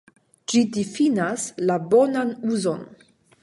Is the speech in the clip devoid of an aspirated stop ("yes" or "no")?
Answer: yes